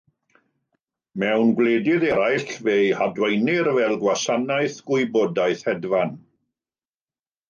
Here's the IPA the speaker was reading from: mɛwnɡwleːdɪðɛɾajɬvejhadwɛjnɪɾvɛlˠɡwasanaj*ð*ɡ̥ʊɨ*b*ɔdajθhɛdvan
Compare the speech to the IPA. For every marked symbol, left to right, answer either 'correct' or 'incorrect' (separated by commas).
incorrect, correct